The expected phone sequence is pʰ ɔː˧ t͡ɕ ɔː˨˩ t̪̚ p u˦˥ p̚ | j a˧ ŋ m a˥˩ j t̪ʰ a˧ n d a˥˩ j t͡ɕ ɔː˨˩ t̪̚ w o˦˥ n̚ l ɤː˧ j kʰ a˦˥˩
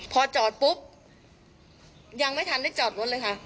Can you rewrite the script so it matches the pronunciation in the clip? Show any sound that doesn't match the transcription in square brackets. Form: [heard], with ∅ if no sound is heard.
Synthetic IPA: pʰ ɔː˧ t͡ɕ ɔː˨˩ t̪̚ p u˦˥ p̚ | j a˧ ŋ m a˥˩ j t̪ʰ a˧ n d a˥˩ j t͡ɕ ɔː˨˩ t̪̚ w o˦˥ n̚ l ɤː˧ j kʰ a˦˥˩